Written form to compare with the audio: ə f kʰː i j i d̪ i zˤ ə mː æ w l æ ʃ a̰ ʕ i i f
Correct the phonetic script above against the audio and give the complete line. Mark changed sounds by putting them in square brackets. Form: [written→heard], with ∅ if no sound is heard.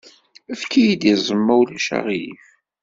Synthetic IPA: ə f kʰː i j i d̪ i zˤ ə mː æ w l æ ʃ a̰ [ʕ→ʁ] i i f